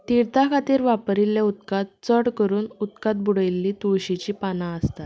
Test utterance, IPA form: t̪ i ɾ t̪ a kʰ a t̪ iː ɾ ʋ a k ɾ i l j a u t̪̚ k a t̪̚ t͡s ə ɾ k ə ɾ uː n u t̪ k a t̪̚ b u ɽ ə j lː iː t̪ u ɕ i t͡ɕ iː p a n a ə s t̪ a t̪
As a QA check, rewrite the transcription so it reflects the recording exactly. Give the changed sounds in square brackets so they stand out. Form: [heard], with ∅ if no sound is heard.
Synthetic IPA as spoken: t̪ i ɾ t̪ a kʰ a t̪ iː ɾ ʋ a [p] ɾ i l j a u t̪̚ k a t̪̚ t͡s ə [ɽ] k ə ɾ uː n u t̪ k a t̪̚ b u ɽ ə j lː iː t̪ u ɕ i t͡ɕ iː p a n a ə s t̪ a t̪